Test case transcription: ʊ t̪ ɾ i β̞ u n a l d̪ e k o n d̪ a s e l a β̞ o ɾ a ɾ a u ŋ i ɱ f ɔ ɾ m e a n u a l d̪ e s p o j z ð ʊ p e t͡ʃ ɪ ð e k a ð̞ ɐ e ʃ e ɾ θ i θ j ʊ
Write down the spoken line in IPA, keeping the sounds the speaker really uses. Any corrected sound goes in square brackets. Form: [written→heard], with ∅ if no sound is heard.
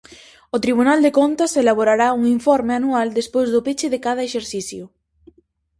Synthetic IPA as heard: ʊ t̪ ɾ i β̞ u n a l d̪ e k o n [d̪→t̪] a s e l a β̞ o ɾ a ɾ a u ŋ i ɱ f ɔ ɾ m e a n u a l d̪ e s p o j z ð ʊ p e t͡ʃ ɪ ð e k a ð̞ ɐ e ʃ e ɾ θ i θ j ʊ